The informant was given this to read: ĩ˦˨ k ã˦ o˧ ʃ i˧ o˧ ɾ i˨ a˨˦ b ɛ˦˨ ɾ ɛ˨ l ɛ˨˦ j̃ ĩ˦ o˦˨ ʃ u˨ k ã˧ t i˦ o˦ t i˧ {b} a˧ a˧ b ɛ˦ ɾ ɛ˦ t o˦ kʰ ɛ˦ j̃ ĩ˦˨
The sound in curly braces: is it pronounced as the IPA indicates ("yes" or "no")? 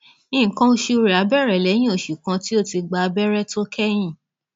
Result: no